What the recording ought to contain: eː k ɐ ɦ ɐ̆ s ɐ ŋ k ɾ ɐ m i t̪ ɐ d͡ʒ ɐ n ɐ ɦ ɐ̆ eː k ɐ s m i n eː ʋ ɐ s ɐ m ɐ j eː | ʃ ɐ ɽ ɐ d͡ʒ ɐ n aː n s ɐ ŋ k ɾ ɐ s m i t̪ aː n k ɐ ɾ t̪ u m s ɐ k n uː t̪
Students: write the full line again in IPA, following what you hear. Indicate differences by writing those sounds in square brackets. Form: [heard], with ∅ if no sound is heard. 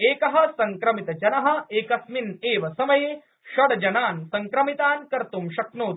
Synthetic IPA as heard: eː k ɐ ɦ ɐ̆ s ɐ ŋ k ɾ ɐ m i t̪ ɐ d͡ʒ ɐ n ɐ ɦ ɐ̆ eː k ɐ s m i n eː ʋ ɐ s ɐ m ɐ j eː | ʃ ɐ ɽ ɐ d͡ʒ ɐ n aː n s ɐ ŋ k ɾ ɐ [∅] m i t̪ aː n k ɐ ɾ t̪ u m [ʃ] ɐ k n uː t̪